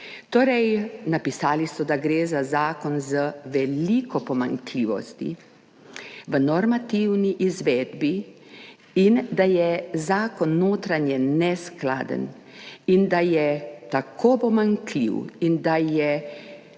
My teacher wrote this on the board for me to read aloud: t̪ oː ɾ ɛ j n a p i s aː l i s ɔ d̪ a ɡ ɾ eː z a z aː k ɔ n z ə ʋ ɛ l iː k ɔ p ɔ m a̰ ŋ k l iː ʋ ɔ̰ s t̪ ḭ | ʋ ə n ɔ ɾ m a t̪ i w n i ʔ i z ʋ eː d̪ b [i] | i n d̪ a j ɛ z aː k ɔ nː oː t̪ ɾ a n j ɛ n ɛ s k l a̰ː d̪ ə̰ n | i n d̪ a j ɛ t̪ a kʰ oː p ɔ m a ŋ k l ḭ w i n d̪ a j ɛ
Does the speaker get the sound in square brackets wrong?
no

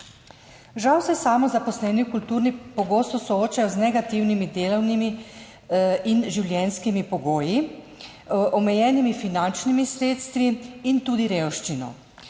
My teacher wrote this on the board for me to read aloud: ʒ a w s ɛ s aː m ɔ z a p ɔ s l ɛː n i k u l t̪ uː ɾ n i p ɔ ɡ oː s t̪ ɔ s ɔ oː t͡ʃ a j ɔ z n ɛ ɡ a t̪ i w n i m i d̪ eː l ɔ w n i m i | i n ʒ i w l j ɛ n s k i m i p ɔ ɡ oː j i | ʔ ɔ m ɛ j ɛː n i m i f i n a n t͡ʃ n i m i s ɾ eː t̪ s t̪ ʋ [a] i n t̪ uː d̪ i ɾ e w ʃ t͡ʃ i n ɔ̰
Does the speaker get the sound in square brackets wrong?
yes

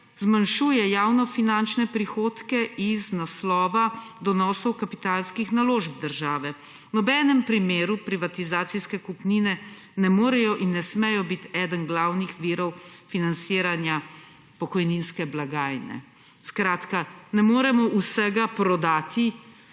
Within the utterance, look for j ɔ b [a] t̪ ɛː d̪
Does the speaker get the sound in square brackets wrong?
yes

